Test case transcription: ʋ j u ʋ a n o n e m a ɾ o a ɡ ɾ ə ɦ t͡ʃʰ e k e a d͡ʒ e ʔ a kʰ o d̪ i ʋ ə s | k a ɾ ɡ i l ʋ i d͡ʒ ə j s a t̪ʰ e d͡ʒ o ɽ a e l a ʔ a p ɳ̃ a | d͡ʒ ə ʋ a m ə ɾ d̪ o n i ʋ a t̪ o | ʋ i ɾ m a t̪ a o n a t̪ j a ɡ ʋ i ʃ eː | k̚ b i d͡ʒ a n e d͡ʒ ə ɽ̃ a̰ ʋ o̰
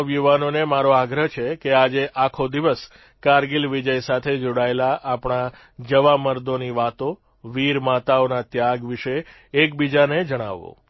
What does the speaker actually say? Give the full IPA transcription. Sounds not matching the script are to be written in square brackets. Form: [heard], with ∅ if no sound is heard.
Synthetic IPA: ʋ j u ʋ a n o n e m a ɾ o a ɡ ɾ ə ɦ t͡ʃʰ e k e a d͡ʒ e ʔ a kʰ o d̪ i ʋ ə s | k a ɾ ɡ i l ʋ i d͡ʒ ə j s a t̪ʰ e d͡ʒ o ɽ a e l a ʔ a p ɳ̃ a | d͡ʒ ə ʋ a m ə ɾ d̪ o n i ʋ a t̪ o | ʋ i ɾ m a t̪ a o n a t̪ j a ɡ ʋ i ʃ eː | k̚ b i d͡ʒ a n e d͡ʒ ə ɽ̃ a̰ ʋ o̰